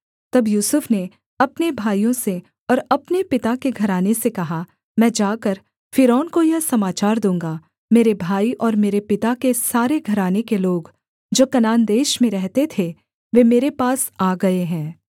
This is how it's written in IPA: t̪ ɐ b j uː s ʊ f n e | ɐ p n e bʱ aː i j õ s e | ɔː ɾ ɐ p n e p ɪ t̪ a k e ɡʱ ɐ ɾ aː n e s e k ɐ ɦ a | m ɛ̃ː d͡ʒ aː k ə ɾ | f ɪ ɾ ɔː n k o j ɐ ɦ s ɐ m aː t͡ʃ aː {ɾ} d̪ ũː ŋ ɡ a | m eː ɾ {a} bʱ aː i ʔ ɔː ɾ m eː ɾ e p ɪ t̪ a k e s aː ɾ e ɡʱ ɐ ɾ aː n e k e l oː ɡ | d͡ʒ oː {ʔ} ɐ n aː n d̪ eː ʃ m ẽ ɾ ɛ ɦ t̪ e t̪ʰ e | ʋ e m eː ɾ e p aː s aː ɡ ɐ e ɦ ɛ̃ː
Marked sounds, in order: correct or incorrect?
correct, incorrect: e, incorrect: k

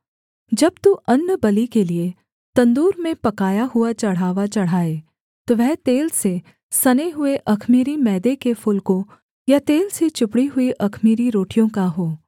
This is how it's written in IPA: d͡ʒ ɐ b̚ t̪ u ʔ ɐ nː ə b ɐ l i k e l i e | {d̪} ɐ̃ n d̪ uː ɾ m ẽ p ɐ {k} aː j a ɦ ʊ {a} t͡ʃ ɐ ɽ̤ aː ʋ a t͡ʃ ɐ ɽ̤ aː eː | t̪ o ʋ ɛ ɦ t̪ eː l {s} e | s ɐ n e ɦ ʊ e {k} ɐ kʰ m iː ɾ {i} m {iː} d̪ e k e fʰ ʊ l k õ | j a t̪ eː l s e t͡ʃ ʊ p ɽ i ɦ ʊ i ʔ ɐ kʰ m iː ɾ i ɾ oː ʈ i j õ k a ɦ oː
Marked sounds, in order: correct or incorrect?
incorrect: t̪, correct, correct, correct, incorrect: ʔ, correct, incorrect: ɛː

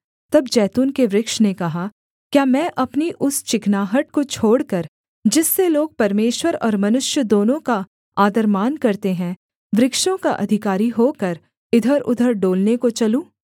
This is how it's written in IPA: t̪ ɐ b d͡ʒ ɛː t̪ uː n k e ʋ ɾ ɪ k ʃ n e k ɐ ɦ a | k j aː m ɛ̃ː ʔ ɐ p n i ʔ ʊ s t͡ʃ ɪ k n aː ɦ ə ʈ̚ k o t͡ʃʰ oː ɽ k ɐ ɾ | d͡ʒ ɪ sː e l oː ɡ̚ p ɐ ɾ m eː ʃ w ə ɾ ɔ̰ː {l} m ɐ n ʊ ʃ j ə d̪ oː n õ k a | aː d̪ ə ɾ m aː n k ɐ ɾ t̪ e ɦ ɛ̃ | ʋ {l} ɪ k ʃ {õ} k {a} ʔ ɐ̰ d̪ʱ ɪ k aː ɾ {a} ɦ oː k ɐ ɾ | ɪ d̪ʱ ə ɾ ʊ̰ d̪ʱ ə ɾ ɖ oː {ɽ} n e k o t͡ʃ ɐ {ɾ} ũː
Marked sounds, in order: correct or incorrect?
incorrect: ɾ, incorrect: ɾ, correct, correct, incorrect: i, incorrect: l, incorrect: l

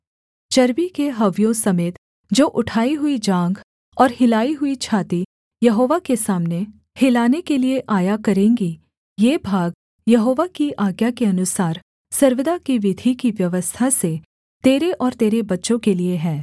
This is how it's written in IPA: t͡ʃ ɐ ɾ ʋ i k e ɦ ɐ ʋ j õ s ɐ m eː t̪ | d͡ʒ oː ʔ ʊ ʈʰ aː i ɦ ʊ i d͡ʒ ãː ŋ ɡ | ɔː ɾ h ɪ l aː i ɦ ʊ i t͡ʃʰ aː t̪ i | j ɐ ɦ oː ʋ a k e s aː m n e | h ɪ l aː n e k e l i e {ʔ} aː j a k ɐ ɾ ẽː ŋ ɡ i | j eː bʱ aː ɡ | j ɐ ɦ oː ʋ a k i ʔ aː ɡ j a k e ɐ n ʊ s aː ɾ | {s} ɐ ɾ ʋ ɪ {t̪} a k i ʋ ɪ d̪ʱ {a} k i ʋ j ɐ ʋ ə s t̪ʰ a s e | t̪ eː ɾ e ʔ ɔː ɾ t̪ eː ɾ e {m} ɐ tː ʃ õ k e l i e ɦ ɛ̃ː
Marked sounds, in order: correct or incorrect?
correct, correct, incorrect: d̪, incorrect: i, incorrect: b

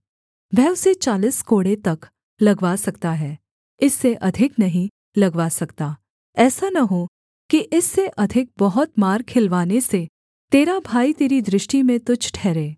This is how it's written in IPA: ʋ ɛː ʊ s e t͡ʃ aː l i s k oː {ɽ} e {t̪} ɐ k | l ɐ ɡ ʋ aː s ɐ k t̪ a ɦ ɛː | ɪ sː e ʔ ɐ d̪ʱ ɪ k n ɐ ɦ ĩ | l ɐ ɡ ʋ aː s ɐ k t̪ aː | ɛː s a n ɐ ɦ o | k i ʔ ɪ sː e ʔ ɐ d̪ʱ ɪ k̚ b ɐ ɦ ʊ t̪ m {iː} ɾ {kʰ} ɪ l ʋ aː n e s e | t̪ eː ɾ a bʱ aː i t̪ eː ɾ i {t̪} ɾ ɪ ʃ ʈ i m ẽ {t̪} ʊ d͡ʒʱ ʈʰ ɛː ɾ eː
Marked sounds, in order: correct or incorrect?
correct, correct, incorrect: aː, correct, incorrect: d̪, correct

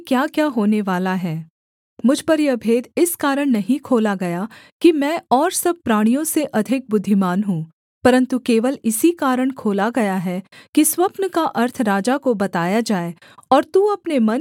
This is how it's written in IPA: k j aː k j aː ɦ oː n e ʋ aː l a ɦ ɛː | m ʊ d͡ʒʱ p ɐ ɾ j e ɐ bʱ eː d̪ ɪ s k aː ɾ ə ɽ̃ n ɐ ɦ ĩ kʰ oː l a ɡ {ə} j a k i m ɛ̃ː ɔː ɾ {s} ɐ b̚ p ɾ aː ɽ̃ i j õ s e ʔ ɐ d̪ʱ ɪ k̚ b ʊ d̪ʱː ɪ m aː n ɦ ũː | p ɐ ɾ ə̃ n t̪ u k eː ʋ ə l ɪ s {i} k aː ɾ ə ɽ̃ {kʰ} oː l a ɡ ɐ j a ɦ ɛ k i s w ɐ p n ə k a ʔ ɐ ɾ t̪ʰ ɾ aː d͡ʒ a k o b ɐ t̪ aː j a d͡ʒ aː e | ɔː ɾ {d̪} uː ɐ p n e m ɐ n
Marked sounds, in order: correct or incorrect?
incorrect: ɐ, correct, correct, correct, incorrect: t̪

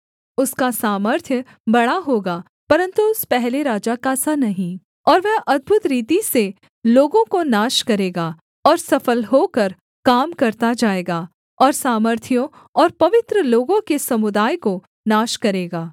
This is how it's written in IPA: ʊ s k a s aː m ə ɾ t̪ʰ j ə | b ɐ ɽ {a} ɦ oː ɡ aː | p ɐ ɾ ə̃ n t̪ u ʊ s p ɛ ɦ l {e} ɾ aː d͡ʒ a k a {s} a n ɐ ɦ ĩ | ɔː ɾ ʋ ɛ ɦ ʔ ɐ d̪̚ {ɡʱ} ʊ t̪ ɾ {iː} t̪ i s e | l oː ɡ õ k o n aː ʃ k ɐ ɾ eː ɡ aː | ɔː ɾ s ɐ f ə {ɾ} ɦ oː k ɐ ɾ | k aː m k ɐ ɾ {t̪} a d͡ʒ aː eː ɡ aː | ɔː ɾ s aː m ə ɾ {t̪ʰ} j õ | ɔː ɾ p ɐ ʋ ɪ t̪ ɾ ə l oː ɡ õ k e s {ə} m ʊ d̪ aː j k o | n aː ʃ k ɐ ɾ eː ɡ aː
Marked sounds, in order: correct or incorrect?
correct, correct, correct, incorrect: bʱ, correct, incorrect: l, correct, correct, incorrect: ɐ

